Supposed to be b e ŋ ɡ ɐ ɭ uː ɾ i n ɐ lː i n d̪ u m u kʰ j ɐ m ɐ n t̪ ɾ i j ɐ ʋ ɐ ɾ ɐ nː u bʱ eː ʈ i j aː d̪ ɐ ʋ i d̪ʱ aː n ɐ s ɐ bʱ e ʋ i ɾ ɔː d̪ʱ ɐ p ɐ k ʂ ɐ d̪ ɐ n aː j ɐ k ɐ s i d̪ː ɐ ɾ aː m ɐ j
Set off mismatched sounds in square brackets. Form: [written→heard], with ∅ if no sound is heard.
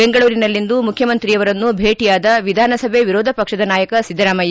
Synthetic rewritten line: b e ŋ ɡ ɐ ɭ uː ɾ i n ɐ lː i n d̪ u m u kʰ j ɐ m ɐ n t̪ ɾ i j ɐ ʋ ɐ ɾ ɐ nː u bʱ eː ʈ i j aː d̪ ɐ ʋ i d̪ʱ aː n ɐ s ɐ bʱ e ʋ i ɾ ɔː d̪ʱ ɐ p ɐ k ʂ ɐ d̪ ɐ n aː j ɐ k ɐ s i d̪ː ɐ ɾ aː m ɐ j